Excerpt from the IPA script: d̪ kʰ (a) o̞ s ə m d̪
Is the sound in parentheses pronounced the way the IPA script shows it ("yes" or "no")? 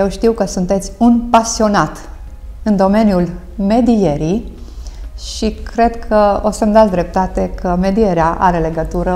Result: no